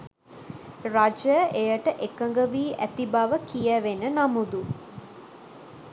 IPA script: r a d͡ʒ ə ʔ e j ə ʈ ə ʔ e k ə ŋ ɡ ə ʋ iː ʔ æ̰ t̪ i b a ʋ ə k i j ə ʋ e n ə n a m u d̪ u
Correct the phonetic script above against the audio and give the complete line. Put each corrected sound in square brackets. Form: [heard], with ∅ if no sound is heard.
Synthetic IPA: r a d͡ʒ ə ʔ e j ə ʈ ə ʔ e k ə ŋ ɡ ə ʋ iː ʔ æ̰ t̪ i b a ʋ ə k i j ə ʋ e n ə n a m u d̪ u